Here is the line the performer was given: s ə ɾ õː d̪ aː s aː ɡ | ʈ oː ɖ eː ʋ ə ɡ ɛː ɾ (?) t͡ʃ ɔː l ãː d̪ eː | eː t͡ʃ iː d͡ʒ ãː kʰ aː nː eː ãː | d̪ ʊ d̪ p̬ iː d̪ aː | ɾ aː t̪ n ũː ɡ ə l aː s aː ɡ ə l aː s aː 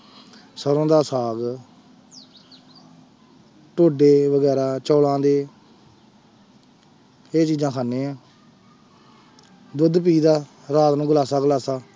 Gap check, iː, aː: aː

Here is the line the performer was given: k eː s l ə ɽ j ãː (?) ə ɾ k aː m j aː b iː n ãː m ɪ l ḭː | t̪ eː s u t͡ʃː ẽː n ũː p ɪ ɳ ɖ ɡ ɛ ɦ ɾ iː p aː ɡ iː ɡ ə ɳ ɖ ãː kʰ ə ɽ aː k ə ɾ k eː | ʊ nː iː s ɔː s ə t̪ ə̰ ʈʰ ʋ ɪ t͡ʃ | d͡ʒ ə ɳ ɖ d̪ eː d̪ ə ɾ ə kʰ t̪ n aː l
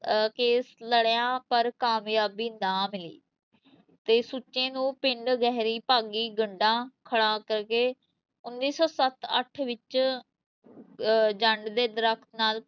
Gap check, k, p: p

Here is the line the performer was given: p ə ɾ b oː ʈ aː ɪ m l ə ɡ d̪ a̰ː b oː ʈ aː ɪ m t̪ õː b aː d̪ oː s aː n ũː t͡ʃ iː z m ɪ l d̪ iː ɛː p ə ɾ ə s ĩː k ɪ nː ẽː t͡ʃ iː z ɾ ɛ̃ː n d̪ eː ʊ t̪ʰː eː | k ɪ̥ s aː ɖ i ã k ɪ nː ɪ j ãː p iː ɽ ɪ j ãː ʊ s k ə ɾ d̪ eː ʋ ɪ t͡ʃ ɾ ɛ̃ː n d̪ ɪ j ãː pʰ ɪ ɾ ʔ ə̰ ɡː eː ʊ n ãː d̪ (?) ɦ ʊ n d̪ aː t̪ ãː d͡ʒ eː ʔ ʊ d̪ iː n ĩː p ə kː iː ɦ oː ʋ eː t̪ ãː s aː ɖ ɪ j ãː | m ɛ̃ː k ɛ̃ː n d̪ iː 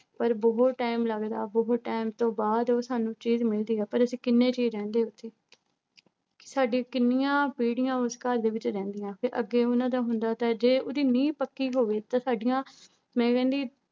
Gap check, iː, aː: aː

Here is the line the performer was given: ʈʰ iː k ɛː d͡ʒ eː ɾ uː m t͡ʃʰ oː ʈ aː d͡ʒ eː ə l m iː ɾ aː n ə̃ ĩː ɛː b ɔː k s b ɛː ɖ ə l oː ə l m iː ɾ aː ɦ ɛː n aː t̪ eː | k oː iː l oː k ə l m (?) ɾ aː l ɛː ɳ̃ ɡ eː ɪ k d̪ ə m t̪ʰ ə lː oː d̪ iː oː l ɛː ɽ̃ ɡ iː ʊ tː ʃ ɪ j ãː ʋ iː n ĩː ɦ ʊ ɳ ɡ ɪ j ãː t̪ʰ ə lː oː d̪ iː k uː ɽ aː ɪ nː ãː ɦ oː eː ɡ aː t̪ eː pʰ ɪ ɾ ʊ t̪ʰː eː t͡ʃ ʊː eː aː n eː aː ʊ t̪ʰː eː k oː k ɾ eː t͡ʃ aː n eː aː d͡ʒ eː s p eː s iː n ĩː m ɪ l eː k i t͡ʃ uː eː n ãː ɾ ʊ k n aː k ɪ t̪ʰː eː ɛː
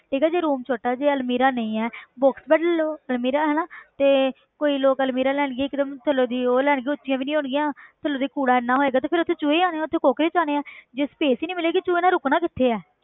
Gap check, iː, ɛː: iː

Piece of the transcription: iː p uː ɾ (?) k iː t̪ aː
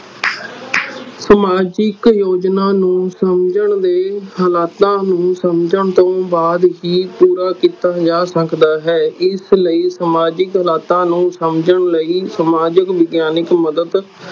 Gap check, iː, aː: aː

